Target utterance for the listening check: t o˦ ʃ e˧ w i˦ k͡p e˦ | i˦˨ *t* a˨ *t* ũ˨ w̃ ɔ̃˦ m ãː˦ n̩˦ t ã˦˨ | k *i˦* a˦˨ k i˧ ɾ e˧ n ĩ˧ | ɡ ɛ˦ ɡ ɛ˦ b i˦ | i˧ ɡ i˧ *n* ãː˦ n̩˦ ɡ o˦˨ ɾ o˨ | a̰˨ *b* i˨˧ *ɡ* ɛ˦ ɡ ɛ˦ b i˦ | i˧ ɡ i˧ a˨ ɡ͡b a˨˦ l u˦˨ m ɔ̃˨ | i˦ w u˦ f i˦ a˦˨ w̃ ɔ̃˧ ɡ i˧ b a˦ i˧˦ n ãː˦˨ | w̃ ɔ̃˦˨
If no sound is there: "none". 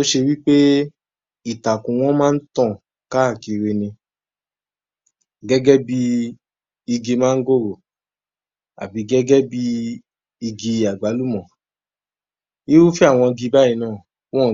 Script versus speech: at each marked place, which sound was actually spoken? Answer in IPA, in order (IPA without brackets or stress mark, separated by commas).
t, k, a˦, m, b, ɡ